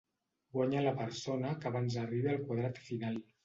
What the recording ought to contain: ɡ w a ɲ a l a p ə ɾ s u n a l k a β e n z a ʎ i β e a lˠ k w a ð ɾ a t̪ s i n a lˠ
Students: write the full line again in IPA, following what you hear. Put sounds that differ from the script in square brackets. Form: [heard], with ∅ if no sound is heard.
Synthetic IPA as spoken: ɡ w a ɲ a l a p ə ɾ s [o] n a [∅] k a β [a] n z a [r] i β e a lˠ k w a ð ɾ a t̪ [f] i n a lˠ